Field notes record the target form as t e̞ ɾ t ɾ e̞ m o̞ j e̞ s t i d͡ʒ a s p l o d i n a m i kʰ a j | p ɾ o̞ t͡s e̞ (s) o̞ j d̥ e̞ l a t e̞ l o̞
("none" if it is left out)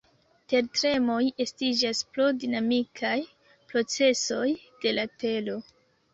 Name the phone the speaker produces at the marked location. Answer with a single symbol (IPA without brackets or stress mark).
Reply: s